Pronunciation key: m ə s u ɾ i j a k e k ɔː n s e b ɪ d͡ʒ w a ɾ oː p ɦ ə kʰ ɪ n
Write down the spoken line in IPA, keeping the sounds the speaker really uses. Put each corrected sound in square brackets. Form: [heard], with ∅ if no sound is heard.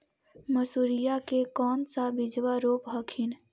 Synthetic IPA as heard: m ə s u ɾ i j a k e k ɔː n s [a] b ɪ d͡ʒ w a ɾ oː p ɦ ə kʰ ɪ n